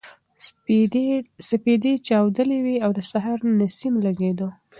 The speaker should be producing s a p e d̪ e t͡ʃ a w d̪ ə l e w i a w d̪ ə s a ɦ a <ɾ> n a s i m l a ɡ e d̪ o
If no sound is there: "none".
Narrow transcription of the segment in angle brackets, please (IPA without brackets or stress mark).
ɾ